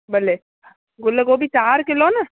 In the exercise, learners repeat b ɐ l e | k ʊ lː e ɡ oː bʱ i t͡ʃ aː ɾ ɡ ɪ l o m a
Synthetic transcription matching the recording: b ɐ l e | ɡ ʊ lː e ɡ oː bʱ i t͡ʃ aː ɾ k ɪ l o n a